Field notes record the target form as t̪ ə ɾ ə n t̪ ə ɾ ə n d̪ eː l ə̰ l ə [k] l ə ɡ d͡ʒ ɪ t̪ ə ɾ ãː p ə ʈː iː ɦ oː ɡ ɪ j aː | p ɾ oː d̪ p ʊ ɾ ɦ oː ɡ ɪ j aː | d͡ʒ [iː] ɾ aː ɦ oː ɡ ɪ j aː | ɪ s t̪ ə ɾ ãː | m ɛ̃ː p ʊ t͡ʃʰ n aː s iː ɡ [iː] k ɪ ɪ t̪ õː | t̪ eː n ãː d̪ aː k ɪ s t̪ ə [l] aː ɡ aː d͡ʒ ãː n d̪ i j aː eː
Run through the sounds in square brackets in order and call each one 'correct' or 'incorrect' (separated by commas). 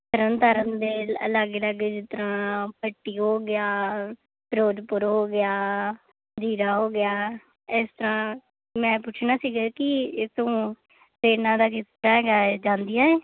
incorrect, correct, incorrect, incorrect